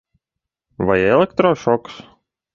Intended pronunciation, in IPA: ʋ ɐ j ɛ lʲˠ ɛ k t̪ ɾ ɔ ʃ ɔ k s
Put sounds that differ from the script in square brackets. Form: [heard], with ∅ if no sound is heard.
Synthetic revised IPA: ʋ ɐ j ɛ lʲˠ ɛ k t̪ ɾ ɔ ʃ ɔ k s